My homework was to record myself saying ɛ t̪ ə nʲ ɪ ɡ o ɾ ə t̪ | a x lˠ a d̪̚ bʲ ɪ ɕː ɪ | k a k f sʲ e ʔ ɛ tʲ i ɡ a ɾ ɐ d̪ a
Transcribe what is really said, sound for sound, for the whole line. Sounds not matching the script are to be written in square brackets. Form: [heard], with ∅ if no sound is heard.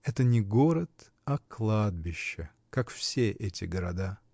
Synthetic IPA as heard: ɛ t̪ ə nʲ ɪ ɡ o ɾ ə t̪ | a [k] lˠ a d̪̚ bʲ ɪ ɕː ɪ | k a k f sʲ e ʔ ɛ tʲ [ɪ] ɡ [ə] ɾ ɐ d̪ a